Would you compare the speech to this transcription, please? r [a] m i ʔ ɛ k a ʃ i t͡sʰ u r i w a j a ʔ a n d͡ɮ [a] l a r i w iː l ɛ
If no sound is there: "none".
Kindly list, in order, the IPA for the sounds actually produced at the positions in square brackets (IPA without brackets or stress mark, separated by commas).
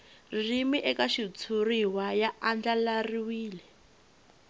i, a